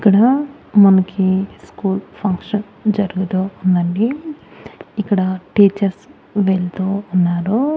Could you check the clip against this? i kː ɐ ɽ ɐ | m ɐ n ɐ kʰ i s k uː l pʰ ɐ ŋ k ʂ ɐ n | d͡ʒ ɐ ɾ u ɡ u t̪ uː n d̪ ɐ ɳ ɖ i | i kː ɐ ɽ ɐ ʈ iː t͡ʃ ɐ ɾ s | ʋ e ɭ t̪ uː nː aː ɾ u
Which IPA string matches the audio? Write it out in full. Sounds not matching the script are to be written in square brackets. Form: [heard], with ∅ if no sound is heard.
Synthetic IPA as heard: i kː ɐ ɽ ɐ | m ɐ n ɐ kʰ i s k uː l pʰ ɐ ŋ k ʂ ɐ n | d͡ʒ ɐ ɾ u ɡ u t̪ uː n d̪ ɐ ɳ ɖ i | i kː ɐ ɽ ɐ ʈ iː t͡ʃ ɐ ɾ s | ʋ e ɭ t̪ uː nː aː ɾ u